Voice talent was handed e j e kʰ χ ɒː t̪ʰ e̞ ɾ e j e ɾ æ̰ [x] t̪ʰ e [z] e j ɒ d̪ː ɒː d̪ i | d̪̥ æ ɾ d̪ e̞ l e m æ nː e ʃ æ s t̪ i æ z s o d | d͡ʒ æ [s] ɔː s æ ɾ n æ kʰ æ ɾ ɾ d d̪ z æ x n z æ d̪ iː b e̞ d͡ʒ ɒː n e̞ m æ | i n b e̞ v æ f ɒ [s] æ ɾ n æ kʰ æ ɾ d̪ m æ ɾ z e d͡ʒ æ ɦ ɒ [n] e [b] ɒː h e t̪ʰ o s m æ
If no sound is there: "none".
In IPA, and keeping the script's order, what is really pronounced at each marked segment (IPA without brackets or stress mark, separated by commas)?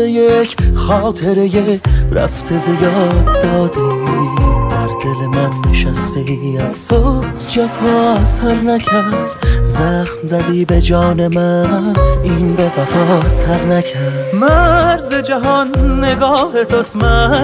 f, z, f, s, nː, ɡ